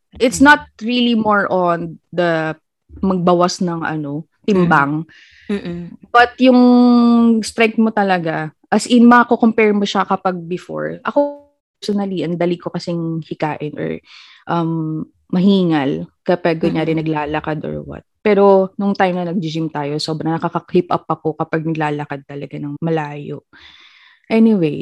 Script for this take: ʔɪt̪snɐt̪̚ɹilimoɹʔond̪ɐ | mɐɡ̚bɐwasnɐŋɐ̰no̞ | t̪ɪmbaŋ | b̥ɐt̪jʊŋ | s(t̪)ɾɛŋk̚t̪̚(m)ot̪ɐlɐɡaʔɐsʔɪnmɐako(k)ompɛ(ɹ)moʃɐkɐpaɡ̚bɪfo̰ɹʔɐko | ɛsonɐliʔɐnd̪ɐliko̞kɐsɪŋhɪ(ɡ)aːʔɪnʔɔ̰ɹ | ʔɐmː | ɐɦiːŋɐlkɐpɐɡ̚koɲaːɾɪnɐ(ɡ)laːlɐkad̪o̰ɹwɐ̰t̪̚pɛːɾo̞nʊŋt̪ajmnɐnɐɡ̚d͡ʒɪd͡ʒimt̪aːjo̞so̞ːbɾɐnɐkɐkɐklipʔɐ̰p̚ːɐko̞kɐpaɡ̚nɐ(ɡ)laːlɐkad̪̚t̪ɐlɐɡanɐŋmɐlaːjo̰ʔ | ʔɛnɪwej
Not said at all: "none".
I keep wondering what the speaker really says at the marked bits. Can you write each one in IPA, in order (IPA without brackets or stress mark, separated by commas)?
t̪, m, k, ɹ, k, ɡ, ɡ